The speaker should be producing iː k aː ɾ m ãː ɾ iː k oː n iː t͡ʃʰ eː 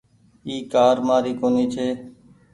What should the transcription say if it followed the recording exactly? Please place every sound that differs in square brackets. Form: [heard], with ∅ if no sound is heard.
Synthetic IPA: iː k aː ɾ m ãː ɾ iː k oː n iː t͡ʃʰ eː